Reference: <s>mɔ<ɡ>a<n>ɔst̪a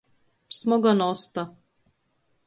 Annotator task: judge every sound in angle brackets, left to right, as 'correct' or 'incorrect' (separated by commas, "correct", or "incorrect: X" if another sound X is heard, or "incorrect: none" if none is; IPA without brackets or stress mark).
correct, correct, correct